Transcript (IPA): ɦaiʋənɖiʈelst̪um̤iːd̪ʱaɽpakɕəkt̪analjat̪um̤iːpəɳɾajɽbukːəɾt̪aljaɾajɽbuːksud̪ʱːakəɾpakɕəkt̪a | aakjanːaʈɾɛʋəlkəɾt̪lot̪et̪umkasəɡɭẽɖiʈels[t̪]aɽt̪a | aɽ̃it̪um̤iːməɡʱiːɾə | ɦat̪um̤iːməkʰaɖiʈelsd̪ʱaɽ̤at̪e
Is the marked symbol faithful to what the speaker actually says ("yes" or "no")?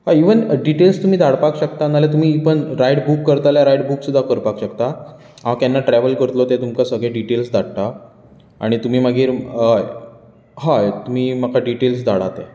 no